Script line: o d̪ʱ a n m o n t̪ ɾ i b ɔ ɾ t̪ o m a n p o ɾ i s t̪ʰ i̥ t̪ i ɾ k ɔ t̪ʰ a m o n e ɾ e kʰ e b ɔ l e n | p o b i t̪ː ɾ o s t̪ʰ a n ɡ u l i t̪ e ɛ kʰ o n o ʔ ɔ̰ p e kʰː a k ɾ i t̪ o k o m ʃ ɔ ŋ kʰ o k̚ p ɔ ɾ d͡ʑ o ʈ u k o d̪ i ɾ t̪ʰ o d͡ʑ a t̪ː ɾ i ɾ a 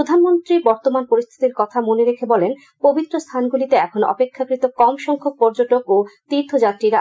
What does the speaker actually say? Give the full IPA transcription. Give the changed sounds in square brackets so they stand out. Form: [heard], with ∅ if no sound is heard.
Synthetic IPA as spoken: o d̪ʱ a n m o n t̪ ɾ i b ɔ ɾ t̪ o m a n p o ɾ i s t̪ʰ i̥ t̪ i ɾ k ɔ t̪ʰ a m o n e ɾ e kʰ e b ɔ l e n | p o b i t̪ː ɾ o s t̪ʰ a n ɡ u l i t̪ e ɛ kʰ o n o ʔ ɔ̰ p e kʰː a k ɾ i t̪ o k [ɔ] m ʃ ɔ ŋ kʰ o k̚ p ɔ ɾ d͡ʑ o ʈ [o] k o [t̪] i ɾ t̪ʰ o d͡ʑ a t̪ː ɾ i ɾ a